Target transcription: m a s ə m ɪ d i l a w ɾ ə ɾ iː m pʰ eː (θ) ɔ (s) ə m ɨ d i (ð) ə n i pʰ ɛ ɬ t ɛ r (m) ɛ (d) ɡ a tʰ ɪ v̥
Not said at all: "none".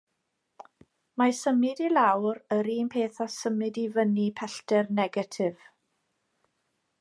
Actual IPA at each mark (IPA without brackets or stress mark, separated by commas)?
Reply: θ, s, v, n, none